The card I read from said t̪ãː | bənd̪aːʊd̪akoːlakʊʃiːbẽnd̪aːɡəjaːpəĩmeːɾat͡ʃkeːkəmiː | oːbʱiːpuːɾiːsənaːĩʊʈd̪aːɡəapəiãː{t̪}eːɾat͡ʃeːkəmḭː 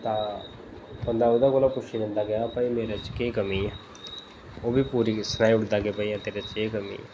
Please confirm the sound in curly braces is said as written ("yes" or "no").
yes